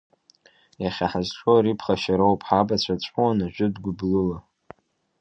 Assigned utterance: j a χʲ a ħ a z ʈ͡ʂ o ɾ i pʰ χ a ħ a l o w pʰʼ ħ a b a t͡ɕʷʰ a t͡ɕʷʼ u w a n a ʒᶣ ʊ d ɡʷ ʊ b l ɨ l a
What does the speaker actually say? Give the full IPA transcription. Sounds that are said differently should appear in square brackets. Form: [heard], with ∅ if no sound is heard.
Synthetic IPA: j a χʲ a ħ a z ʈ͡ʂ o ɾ i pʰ χ a [ʃ] a [ɾ] o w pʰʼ ħ a b a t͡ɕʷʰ a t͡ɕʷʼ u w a n a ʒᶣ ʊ d ɡʷ ʊ b l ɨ l a